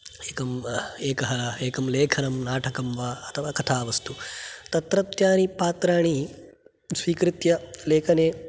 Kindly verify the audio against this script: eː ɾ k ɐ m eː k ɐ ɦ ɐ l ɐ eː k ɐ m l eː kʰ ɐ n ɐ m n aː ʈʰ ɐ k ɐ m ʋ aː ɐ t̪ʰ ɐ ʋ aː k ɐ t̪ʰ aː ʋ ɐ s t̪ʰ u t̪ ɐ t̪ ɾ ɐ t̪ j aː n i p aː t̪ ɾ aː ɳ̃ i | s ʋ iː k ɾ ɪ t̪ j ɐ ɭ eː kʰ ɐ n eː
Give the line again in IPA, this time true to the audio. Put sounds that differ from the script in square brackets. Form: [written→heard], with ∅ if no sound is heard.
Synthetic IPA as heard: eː [ɾ→∅] k ɐ m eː k ɐ ɦ ɐ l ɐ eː k ɐ m l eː kʰ ɐ n ɐ m n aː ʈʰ ɐ k ɐ m ʋ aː ɐ t̪ʰ ɐ ʋ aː k ɐ t̪ʰ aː ʋ ɐ s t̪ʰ u t̪ ɐ t̪ ɾ ɐ t̪ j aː n i p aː t̪ ɾ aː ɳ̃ i | s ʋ iː k ɾ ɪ t̪ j ɐ [ɭ→l] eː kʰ ɐ n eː